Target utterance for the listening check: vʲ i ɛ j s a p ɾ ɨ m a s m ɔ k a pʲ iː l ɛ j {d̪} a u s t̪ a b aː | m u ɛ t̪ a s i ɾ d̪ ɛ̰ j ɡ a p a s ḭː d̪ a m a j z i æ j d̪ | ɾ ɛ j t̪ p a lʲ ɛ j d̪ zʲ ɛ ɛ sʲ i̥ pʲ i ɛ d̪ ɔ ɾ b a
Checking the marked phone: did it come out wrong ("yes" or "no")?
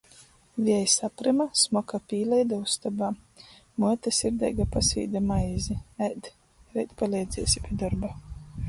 no